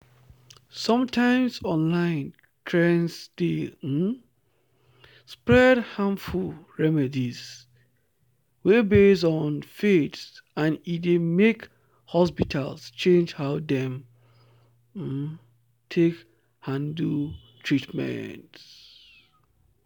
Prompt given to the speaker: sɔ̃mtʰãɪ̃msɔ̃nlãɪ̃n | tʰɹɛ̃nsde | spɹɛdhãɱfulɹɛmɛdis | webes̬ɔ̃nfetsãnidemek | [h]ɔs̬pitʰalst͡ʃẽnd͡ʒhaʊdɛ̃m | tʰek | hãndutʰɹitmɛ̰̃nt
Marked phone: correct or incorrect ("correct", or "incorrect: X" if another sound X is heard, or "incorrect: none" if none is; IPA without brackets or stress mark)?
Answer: correct